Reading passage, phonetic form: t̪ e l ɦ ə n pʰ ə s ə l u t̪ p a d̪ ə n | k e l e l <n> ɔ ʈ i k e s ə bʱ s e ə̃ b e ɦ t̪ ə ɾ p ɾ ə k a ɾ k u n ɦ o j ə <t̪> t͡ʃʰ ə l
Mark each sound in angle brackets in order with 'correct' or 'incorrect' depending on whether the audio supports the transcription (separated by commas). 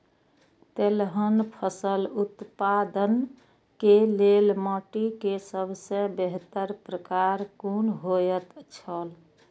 incorrect, correct